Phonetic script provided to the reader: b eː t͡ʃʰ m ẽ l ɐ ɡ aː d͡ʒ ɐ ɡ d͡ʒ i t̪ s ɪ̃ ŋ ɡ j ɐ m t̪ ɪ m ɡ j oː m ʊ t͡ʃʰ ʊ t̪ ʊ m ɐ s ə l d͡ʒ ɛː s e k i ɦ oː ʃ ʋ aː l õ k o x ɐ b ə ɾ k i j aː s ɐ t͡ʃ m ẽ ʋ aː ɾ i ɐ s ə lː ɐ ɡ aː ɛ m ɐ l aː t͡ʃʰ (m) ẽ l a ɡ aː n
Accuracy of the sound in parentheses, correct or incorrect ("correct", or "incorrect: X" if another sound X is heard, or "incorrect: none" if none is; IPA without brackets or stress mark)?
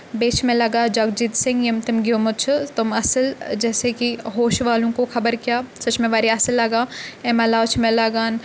correct